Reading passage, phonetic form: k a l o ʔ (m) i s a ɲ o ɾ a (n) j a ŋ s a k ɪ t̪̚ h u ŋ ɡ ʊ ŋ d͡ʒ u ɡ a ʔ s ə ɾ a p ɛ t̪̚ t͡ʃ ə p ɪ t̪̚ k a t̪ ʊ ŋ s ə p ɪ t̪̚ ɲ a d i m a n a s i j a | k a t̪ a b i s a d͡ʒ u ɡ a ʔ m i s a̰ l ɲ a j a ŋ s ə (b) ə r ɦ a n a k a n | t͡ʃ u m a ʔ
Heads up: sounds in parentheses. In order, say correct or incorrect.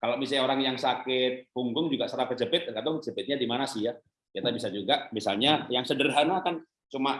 correct, incorrect: ŋ, incorrect: d

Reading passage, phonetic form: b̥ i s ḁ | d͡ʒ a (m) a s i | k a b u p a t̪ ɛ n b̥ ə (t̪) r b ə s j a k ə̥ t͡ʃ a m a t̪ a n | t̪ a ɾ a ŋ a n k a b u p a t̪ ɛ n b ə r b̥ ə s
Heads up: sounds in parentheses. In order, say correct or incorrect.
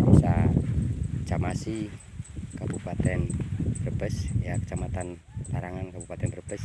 correct, incorrect: none

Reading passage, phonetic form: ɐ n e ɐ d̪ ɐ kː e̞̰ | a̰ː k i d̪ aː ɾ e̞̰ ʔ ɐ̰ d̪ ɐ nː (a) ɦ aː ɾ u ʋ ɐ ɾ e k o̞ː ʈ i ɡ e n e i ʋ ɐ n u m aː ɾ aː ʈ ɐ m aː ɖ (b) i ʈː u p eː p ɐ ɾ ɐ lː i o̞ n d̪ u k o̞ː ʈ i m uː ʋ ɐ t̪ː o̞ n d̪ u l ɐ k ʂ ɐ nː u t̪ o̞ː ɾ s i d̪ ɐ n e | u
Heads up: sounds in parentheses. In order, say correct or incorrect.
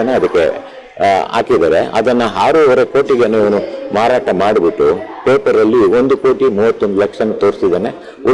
incorrect: ɐ, correct

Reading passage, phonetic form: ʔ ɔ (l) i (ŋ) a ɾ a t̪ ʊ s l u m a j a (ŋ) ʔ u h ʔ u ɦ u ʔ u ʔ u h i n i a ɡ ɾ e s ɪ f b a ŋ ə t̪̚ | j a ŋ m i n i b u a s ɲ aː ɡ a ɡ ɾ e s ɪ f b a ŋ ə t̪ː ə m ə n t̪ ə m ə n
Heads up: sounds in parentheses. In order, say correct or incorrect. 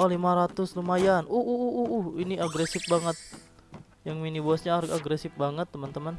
correct, incorrect: m, incorrect: n

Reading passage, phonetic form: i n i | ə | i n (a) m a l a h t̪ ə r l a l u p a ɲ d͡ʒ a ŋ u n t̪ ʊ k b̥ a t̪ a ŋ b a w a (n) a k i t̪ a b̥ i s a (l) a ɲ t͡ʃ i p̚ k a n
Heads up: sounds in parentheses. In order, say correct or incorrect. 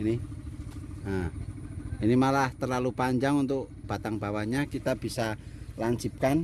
incorrect: i, incorrect: ɲ, correct

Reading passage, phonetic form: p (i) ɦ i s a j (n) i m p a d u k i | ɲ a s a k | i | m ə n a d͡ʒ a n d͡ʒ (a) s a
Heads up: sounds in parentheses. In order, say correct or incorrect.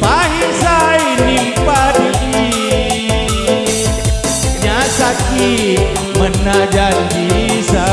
incorrect: a, correct, incorrect: i

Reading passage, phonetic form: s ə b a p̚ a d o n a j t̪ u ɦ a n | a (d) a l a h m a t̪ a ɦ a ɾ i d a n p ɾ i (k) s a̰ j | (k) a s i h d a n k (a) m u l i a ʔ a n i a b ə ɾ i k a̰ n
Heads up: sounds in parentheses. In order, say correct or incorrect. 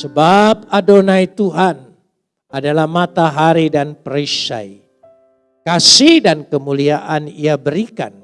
correct, incorrect: none, correct, incorrect: ə

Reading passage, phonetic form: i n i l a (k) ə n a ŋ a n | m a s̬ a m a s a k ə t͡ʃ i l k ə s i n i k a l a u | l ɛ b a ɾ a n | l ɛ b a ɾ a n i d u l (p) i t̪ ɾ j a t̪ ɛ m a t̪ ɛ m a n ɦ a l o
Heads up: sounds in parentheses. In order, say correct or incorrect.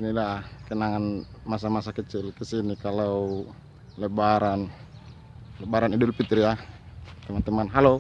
correct, correct

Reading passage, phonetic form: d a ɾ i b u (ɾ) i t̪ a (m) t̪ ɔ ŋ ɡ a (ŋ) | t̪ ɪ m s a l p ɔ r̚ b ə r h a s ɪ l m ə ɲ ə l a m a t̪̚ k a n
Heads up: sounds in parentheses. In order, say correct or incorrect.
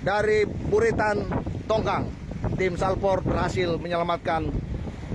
correct, incorrect: n, correct

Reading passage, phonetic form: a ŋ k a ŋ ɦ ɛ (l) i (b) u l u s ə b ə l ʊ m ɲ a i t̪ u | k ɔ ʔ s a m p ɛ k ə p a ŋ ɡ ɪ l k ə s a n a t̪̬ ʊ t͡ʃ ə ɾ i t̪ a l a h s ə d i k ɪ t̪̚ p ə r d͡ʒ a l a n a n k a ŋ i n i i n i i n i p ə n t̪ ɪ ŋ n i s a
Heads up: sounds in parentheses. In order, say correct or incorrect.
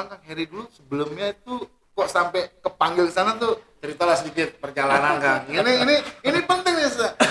incorrect: ɾ, incorrect: d

